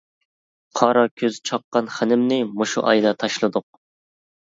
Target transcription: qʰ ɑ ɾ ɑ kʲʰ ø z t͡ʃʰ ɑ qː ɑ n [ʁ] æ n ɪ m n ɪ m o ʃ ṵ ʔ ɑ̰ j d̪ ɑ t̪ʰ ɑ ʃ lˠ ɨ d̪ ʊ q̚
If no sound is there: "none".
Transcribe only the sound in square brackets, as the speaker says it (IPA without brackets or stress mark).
χ